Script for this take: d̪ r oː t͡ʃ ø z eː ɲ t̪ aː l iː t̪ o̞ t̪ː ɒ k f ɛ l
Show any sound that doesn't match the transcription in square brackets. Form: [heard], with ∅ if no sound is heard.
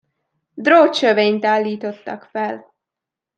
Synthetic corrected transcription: d̪ r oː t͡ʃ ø [v] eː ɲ t̪ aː [lː] iː t̪ o̞ t̪ː ɒ k f ɛ l